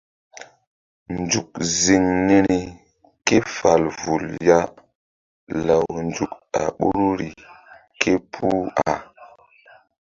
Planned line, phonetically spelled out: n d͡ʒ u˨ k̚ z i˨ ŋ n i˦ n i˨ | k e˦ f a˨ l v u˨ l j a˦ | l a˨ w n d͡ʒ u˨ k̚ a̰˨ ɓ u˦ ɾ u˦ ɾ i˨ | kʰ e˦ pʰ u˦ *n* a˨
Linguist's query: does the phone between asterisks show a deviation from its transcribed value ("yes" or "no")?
yes